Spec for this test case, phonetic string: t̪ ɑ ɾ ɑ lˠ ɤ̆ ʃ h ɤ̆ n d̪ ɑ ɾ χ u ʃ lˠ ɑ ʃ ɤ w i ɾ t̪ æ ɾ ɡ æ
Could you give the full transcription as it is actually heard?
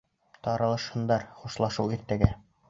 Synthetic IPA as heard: t̪ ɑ ɾ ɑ lˠ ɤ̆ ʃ h ɤ̆ n d̪ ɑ ɾ χ u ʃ lˠ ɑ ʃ ɤ w i ɾ t̪ æ ɡ æ